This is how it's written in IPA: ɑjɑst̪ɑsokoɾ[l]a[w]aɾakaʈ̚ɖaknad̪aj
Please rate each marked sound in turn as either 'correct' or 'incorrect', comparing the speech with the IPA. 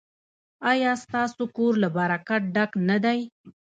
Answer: correct, incorrect

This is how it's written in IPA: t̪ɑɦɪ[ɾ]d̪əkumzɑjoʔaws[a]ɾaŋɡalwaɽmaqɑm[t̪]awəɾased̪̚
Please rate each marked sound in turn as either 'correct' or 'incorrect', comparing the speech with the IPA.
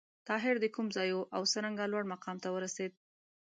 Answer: correct, incorrect, correct

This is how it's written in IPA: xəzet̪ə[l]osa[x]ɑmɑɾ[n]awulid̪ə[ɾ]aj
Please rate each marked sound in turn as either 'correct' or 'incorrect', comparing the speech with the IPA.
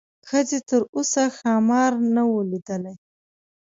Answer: incorrect, correct, correct, incorrect

